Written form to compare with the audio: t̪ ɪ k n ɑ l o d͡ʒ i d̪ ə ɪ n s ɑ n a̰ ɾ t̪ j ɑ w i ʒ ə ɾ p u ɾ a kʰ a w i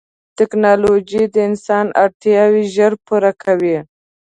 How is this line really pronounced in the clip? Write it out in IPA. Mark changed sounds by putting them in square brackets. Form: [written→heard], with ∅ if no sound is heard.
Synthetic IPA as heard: t̪ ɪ k n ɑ l o d͡ʒ i d̪ ə ɪ n s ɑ n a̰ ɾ t̪ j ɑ w i ʒ ə ɾ p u ɾ a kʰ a w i